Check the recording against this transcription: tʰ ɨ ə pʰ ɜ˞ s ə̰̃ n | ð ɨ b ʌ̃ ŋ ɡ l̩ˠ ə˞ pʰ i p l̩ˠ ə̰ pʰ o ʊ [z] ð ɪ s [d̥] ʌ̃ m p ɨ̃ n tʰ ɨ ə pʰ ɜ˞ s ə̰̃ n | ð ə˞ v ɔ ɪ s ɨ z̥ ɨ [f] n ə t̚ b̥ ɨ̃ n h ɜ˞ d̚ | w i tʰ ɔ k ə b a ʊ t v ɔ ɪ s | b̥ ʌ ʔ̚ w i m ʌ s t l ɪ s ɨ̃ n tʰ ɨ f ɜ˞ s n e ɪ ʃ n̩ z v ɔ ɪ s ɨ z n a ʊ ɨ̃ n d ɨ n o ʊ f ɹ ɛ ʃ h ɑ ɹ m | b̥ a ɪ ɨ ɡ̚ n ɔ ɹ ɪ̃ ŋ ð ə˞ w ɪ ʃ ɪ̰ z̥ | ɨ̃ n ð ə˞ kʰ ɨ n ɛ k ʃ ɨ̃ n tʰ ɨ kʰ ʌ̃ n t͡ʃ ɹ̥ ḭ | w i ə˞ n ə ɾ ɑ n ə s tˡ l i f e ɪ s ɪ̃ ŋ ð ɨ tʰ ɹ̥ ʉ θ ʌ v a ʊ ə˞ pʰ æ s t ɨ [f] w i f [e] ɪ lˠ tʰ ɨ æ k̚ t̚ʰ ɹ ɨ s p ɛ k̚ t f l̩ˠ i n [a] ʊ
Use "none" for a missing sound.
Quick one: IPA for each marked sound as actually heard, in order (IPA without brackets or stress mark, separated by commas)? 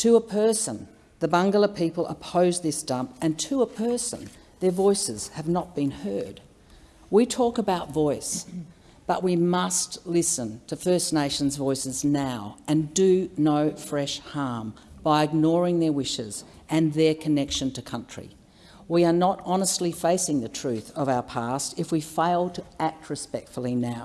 z, d̥, v, f, e, a